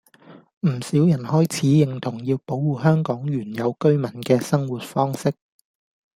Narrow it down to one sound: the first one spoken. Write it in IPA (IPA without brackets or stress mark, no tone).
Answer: m̩